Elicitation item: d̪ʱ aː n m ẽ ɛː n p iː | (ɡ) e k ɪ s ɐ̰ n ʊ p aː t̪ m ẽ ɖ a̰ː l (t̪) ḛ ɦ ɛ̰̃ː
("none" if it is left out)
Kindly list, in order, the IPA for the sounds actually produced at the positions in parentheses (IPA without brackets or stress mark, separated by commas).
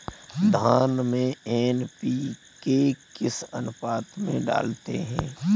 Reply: k, t̪